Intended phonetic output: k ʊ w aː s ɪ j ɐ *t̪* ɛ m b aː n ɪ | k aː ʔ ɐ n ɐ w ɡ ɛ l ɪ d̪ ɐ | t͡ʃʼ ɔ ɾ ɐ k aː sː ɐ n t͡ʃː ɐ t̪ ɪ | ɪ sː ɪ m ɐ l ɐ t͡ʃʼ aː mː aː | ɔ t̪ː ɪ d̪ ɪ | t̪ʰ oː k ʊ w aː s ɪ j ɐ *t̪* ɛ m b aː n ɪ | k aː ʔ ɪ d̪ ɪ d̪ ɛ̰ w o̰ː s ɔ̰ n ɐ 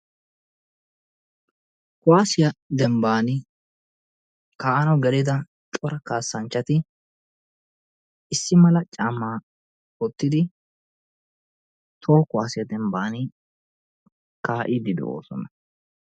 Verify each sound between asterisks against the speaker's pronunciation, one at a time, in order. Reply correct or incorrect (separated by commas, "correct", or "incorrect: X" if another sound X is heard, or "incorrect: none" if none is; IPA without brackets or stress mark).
incorrect: d̪, incorrect: d̪